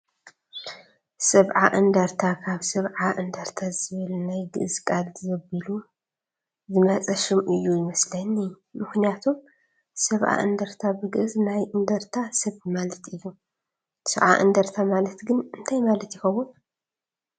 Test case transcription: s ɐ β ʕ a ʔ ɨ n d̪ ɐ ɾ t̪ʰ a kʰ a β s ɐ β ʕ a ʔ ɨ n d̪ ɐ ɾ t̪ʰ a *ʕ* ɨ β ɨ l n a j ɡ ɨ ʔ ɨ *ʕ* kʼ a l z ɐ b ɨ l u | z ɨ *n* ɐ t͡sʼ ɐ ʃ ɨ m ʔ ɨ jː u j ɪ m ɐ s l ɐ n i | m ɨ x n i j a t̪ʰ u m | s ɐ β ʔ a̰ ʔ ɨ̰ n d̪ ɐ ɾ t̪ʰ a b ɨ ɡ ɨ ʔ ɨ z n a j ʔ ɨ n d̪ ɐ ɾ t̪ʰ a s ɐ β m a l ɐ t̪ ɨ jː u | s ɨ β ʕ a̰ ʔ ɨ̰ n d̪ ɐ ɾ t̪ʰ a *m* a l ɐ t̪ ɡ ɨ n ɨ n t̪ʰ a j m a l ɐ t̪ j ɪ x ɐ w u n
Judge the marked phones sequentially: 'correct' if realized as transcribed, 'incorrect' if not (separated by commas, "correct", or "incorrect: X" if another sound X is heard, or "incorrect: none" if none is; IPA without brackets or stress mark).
incorrect: z, incorrect: z, incorrect: m, correct